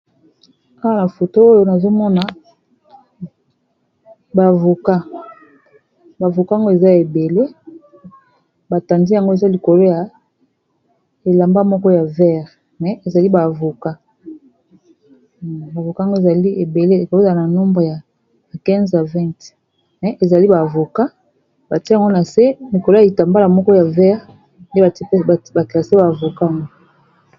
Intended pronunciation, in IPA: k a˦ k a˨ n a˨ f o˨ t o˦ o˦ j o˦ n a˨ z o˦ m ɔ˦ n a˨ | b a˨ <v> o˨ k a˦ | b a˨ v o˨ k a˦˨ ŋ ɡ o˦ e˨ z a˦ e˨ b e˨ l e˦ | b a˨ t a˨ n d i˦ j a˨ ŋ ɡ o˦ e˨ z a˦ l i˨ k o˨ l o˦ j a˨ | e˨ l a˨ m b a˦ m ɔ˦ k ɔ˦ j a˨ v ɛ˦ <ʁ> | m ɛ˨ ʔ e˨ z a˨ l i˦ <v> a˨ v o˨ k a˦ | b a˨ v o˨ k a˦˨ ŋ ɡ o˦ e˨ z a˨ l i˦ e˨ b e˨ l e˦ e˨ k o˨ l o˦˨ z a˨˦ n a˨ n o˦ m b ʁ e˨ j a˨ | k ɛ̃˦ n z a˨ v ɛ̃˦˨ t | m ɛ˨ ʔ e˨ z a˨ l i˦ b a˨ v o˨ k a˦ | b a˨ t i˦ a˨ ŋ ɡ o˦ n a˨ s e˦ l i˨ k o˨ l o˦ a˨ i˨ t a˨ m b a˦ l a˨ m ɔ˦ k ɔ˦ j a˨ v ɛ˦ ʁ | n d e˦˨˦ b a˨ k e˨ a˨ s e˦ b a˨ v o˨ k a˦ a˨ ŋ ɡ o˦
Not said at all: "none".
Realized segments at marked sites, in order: v, ʁ, b

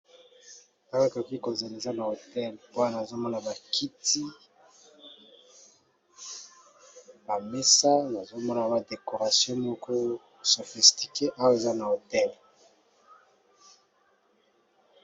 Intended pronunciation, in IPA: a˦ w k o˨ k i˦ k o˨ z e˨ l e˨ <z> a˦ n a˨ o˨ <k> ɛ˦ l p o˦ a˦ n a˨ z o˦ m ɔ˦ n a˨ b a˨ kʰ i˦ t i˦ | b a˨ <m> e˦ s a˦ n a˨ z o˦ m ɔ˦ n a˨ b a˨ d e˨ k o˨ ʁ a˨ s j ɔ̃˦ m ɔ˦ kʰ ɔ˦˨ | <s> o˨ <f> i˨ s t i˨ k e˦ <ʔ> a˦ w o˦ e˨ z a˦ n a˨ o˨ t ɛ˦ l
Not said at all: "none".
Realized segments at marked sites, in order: z, t, m, s, f, ʔ

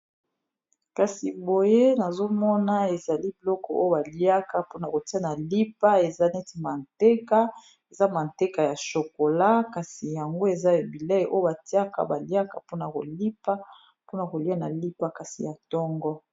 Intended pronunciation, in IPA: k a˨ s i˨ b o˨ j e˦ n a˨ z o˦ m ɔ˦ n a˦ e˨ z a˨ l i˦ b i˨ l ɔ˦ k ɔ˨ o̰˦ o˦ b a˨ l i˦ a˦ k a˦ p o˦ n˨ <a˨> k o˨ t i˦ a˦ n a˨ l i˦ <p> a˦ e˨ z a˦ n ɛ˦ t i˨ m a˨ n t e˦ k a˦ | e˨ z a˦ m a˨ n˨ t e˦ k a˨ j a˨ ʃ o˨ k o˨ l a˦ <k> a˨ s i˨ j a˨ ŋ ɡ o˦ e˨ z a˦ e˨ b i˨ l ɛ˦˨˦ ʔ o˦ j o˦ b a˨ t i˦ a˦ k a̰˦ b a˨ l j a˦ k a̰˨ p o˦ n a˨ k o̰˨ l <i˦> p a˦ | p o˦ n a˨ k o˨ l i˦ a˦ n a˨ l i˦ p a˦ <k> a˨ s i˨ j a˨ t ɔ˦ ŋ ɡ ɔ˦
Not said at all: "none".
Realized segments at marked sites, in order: a˨, p, k, i˦, k

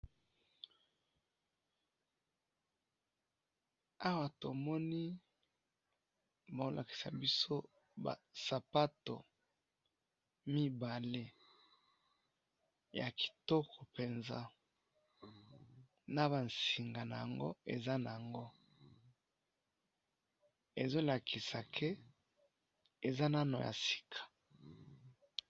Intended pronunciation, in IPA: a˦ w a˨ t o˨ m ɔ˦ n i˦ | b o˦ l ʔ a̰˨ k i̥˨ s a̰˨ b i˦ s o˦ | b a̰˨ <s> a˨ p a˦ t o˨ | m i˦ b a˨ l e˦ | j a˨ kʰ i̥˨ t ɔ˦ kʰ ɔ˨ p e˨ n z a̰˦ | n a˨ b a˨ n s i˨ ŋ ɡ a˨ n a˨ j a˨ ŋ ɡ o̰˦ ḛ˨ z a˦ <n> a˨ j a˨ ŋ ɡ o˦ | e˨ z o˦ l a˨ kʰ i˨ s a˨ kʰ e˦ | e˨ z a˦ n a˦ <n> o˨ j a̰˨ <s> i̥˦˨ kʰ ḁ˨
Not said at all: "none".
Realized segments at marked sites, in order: s, n, n, s

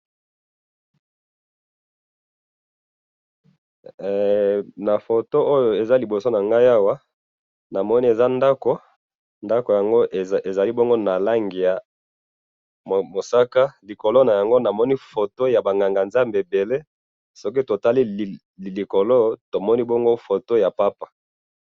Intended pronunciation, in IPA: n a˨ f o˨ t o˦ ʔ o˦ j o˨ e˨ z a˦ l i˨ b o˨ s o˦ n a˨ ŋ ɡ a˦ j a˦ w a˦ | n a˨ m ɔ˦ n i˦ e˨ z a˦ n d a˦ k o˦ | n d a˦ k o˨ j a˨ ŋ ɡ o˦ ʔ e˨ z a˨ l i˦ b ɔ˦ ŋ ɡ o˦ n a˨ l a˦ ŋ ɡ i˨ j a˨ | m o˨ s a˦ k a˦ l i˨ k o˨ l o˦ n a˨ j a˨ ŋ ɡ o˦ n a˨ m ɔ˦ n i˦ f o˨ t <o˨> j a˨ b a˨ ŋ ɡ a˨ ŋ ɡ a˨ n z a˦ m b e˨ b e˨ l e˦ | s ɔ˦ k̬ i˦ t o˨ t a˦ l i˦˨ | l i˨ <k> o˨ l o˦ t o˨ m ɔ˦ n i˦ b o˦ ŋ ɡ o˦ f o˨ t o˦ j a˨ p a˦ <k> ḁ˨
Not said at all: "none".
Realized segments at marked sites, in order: o˦, k, p

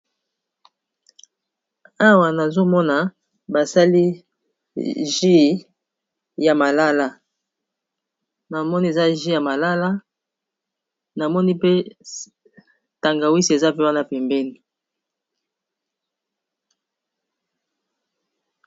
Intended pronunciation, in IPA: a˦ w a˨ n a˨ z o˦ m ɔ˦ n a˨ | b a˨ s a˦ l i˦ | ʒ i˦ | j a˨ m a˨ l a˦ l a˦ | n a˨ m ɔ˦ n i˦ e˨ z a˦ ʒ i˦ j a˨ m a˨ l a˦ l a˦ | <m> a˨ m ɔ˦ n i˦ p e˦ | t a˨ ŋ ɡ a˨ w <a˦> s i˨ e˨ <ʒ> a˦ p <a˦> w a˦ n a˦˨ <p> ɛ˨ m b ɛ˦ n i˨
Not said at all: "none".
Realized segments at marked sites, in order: n, i˦, z, e˦, p

